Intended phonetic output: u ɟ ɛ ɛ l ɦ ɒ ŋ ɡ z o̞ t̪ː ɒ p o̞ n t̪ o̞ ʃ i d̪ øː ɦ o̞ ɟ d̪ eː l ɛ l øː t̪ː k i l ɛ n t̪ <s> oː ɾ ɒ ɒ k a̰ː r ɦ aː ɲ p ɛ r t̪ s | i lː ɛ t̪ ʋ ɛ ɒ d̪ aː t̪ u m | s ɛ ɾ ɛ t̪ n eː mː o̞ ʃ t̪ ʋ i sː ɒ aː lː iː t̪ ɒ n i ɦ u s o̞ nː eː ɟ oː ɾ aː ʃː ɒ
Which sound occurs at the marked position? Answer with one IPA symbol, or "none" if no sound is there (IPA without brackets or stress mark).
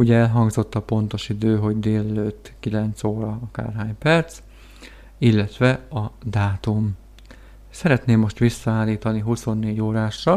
s